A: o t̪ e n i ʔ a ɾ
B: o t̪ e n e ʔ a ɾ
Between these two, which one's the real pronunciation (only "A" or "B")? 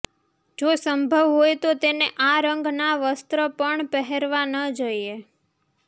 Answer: B